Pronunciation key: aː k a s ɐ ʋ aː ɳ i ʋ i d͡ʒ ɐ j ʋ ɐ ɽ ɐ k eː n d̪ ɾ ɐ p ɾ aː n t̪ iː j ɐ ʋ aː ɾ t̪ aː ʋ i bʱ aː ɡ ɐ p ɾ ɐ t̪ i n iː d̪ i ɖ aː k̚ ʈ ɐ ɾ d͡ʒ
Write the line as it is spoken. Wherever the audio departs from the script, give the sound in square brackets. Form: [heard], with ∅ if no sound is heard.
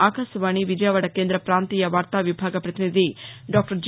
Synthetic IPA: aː k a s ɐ ʋ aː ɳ i ʋ i d͡ʒ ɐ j ʋ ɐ ɽ ɐ k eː n d̪ ɾ ɐ p ɾ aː n t̪ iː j ɐ ʋ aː ɾ t̪ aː ʋ i bʱ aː ɡ ɐ p ɾ ɐ t̪ i n [i] d̪ i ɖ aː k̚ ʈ ɐ ɾ d͡ʒ